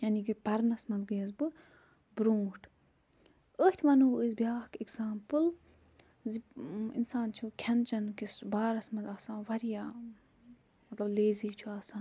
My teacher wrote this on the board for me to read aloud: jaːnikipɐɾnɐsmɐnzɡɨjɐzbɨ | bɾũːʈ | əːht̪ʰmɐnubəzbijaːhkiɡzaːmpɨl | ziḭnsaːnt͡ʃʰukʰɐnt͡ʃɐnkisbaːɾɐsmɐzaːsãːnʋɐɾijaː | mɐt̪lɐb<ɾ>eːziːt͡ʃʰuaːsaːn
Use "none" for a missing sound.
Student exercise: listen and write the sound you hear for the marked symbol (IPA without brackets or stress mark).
l